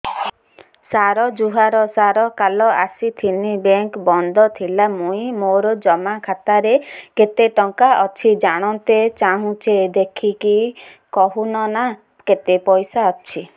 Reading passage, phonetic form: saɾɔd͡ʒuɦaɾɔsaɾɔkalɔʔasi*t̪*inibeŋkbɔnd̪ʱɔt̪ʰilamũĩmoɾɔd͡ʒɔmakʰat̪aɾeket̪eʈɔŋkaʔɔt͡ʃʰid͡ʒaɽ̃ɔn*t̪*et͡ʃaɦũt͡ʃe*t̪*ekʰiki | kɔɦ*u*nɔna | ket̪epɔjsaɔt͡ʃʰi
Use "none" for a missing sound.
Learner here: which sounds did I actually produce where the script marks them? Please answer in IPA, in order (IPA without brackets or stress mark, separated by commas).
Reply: t̪ʰ, t̪, d̪, u